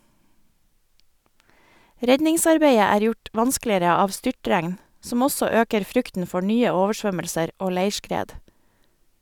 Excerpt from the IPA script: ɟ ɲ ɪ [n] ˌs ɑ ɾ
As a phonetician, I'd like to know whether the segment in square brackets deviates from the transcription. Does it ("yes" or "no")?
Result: yes